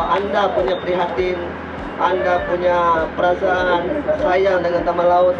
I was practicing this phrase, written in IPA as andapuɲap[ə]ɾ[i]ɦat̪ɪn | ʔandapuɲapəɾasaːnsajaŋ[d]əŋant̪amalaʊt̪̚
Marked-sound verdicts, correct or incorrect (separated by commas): correct, correct, correct